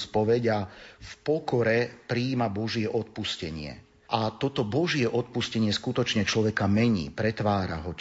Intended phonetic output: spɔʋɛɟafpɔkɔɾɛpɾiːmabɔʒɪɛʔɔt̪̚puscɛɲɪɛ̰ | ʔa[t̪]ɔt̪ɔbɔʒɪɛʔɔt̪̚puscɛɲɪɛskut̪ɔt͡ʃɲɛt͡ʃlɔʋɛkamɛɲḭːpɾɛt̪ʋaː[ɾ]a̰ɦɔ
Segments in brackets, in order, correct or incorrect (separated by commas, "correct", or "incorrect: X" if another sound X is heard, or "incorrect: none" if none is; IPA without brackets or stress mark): correct, correct